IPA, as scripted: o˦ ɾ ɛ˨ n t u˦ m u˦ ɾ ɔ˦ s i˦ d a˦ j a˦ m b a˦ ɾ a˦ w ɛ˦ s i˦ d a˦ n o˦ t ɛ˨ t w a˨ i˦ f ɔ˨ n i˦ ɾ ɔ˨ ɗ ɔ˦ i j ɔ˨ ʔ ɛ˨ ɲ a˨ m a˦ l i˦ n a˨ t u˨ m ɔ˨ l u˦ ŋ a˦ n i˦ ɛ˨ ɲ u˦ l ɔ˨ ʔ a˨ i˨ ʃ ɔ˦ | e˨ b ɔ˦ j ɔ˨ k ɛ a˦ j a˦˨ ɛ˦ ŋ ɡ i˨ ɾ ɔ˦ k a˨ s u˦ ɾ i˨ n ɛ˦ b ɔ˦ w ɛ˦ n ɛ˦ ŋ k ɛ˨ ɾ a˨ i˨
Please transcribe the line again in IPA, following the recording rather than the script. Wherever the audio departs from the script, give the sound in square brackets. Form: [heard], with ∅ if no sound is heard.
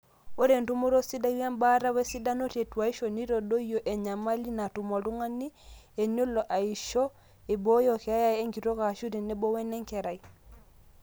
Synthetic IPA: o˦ ɾ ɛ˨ n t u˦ m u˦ ɾ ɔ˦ s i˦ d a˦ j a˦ m b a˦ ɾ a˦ w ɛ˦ s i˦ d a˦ n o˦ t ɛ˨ t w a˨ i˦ [ʃ] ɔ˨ n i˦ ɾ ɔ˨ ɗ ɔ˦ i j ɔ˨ ʔ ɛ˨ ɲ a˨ m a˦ l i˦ n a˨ t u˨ m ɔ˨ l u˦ ŋ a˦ n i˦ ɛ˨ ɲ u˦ l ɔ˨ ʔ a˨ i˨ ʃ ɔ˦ | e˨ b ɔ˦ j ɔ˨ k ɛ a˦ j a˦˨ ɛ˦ ŋ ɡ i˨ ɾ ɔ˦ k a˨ [ʃ] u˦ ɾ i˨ n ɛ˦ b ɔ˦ w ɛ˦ n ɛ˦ ŋ k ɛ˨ ɾ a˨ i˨